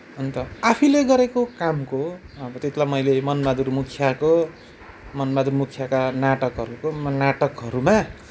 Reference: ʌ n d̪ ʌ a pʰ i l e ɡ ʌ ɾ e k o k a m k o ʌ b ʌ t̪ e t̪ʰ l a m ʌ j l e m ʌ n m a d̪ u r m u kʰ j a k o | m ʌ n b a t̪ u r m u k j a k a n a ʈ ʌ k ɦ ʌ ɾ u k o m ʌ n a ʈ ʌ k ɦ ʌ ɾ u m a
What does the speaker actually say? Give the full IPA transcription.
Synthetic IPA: ʌ n t̪ ʌ a pʰ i l e ɡ ʌ ɾ e k o k a m k o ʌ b ʌ t̪ e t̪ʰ l a m ʌ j l e m ʌ n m a d̪ u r m u kʰ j a k o | m ʌ n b a d̪ u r m u kʰ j a k a n a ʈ ʌ k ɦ ʌ ɾ u k o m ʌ n a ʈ ʌ k ɦ ʌ ɾ u m a

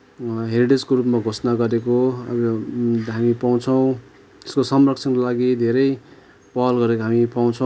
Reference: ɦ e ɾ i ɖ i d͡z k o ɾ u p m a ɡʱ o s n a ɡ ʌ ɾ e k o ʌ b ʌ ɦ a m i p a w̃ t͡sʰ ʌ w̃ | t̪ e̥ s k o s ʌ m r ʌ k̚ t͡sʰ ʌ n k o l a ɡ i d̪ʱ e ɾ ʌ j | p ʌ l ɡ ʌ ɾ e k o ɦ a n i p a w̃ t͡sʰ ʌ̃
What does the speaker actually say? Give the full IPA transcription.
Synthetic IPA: ɦ e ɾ i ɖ e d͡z k o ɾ u p m a ɡʱ o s n a ɡ ʌ ɾ e k o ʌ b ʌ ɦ a m i p a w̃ t͡sʰ ʌ w̃ | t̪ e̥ s k o s ʌ m r ʌ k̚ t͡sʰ ʌ n k o l a ɡ i d̪ʱ e ɾ ʌ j | p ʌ l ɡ ʌ ɾ e k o ɦ a m i p a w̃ t͡sʰ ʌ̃

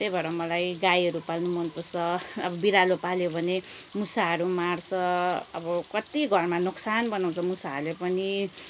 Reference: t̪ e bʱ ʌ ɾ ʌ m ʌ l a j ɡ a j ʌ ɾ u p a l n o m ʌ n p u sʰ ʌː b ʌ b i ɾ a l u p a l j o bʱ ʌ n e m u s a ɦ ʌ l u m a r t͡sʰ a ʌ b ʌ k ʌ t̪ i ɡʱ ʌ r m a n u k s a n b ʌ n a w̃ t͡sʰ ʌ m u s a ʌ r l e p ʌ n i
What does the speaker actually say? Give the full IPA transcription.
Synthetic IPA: t̪ e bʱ ʌ ɾ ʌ m ʌ l a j ɡ a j ʌ ɾ u p a l n u m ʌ n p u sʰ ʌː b ʌ b i ɾ a l o p a l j o bʱ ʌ n e m u s a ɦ ʌ ɾ u m a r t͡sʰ ʌ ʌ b ʌ k ʌ t̪ i ɡʱ ʌ r m a n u k s a n b ʌ n a w̃ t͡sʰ ʌ m u s a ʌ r l e p ʌ n i

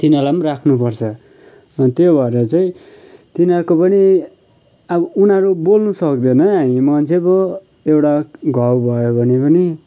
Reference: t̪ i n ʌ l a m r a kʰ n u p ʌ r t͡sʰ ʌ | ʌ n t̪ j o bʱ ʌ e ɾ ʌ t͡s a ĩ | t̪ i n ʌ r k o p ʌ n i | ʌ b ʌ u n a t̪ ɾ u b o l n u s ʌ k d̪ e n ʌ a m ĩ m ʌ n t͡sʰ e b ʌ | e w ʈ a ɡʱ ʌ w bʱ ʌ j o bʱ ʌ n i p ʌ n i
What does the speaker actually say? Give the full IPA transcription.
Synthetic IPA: t̪ i n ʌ l a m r a kʰ n u p ʌ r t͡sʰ ʌ | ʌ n t̪ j o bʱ ʌ e ɾ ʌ t͡s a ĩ | t̪ i n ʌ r k o p ʌ n i | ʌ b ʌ u n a ɾ u b o l n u s ʌ k d̪ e n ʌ a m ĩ m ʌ n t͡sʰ e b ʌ | e w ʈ a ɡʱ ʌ w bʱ ʌ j o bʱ ʌ n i p ʌ n i

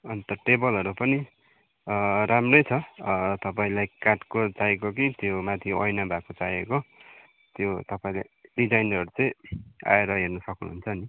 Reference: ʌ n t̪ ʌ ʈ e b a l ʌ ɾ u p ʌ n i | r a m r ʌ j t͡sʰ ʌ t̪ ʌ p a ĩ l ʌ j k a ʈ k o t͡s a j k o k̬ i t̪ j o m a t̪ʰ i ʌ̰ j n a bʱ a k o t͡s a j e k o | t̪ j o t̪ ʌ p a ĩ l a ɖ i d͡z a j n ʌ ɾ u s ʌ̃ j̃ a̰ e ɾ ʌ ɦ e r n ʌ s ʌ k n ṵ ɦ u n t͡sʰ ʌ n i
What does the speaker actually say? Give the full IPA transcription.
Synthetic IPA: ʌ n t̪ ʌ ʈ e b ʌ l ʌ ɾ u p ʌ n i | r a m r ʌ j t͡sʰ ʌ t̪ ʌ p a ĩ l a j k a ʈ k o t͡s a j k o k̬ i t̪ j o m a t̪ʰ i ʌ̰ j n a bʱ a k o t͡s a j e k o | t̪ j o t̪ ʌ p a ĩ l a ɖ i d͡z a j n ʌ ɾ u t͡s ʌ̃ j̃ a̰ e ɾ ʌ ɦ e r n ʌ s ʌ k n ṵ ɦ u n t͡sʰ ʌ n i

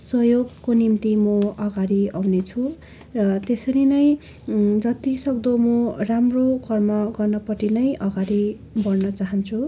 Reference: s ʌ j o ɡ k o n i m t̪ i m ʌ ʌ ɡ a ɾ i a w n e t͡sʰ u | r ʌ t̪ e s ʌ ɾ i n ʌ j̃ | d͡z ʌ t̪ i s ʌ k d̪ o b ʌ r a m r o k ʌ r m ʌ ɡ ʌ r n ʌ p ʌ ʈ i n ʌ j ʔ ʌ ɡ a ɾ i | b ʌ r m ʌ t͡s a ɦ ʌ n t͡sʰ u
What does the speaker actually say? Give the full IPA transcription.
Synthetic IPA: s ʌ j o ɡ k o n i m t̪ i m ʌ ʌ ɡ a ɾ i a w n e t͡sʰ u | r ʌ t̪ e s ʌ ɾ i n ʌ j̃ | d͡z ʌ t̪ i s ʌ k d̪ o m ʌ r a m r o k ʌ r m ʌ ɡ ʌ r n ʌ p ʌ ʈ i n ʌ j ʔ ʌ ɡ a ɾ i | b ʌ r n ʌ t͡s a ɦ ʌ n t͡sʰ u

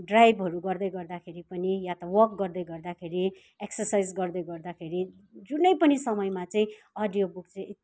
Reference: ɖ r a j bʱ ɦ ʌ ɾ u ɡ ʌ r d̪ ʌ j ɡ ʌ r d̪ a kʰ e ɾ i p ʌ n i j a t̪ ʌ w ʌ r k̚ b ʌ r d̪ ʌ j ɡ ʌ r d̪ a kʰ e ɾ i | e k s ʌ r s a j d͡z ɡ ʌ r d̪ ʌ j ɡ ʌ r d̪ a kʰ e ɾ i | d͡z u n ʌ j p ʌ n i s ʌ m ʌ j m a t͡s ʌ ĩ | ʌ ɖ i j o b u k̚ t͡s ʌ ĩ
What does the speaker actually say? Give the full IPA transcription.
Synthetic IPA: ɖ r a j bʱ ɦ ʌ ɾ u ɡ ʌ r d̪ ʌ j ɡ ʌ r d̪ a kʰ e ɾ i p ʌ n i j a t̪ ʌ w ʌ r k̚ ɡ ʌ r d̪ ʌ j ɡ ʌ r d̪ a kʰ e ɾ i | e k s ʌ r s a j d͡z ɡ ʌ r d̪ ʌ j ɡ ʌ r d̪ a kʰ e ɾ i | d͡z u n ʌ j p ʌ n i s ʌ m ʌ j m a t͡s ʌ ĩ | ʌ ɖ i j o b u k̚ t͡s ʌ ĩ

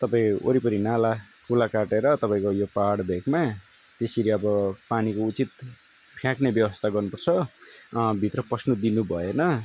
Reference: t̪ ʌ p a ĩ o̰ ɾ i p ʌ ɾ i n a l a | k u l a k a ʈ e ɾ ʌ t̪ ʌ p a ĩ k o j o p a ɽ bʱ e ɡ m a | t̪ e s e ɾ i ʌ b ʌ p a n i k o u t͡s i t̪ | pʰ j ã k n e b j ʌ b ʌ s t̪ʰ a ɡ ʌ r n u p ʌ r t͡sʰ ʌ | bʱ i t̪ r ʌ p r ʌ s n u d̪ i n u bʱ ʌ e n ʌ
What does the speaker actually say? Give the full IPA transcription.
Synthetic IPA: t̪ ʌ p a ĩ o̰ ɾ i p ʌ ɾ i n a l a | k u l a k a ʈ e ɾ ʌ t̪ ʌ p a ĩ k o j o p a ɽ bʱ e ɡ m a | t̪ e s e ɾ i ʌ b ʌ p a n i k o u t͡s i t̪ | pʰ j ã k n e b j ʌ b ʌ s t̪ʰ a ɡ ʌ r n u p ʌ r t͡sʰ ʌ | bʱ i t̪ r ʌ p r ʌ s n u d̪ i n u bʱ ʌ e n ʌ

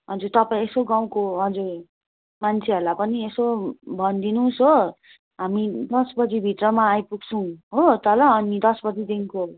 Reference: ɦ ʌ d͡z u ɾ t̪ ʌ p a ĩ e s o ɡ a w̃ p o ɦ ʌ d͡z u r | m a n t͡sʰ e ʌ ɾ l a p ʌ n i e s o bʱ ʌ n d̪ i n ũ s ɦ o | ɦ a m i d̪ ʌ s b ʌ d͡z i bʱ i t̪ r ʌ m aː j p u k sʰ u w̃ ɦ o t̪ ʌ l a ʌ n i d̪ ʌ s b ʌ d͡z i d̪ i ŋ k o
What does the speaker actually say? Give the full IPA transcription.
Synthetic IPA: ɦ ʌ d͡z u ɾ t̪ ʌ p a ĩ e s o ɡ a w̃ k o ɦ ʌ d͡z u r | m a n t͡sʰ e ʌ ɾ l a p ʌ n i e s o bʱ ʌ n d̪ i n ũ s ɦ o | ɦ a m i d̪ ʌ s b ʌ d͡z i bʱ i t̪ r ʌ m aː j p u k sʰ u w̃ ɦ o t̪ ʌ l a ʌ n i d̪ ʌ s b ʌ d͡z i d̪ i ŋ k o

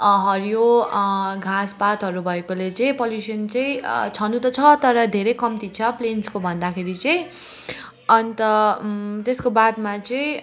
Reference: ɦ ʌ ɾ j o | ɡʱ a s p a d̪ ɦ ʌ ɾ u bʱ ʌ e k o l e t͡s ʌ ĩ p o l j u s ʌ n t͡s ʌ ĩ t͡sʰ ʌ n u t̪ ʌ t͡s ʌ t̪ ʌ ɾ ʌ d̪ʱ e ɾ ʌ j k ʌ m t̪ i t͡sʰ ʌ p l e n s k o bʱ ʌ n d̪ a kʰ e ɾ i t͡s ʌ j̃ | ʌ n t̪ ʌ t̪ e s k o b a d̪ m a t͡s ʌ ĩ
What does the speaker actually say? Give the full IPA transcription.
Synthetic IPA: ɦ ʌ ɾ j o | ɡʱ a s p a t̪ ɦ ʌ ɾ u bʱ ʌ e k o l e t͡s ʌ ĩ p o l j u s ʌ n t͡s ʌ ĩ t͡sʰ ʌ n u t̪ ʌ t͡sʰ ʌ t̪ ʌ ɾ ʌ d̪ʱ e ɾ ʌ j k ʌ m t̪ i t͡sʰ ʌ p l e n s k o bʱ ʌ n d̪ a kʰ e ɾ i t͡s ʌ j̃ | ʌ n t̪ ʌ t̪ e s k o b a d̪ m a t͡s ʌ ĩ

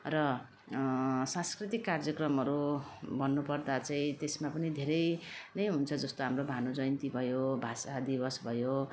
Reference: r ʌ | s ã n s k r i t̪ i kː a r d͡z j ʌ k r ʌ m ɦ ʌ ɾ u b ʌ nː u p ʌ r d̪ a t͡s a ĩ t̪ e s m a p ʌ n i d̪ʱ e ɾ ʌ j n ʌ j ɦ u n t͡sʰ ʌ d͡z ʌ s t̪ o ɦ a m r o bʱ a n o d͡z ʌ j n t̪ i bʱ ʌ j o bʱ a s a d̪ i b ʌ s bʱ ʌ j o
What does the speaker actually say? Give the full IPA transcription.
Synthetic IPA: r ʌ | s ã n s k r i t̪ i kː a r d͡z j ʌ k r ʌ m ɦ ʌ ɾ u b ʌ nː u p ʌ r d̪ a t͡s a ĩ t̪ e s m a p ʌ n i d̪ʱ e ɾ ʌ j n ʌ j ɦ u n t͡sʰ ʌ d͡z ʌ s t̪ o ɦ a m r o bʱ a n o d͡z ʌ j n t̪ i bʱ ʌ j o bʱ a s a d̪ i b ʌ s bʱ ʌ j o

